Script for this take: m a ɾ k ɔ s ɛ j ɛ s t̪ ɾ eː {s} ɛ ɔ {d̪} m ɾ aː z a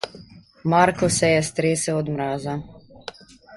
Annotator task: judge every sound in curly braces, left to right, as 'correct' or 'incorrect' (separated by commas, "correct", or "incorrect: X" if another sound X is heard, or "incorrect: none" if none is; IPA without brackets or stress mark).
correct, correct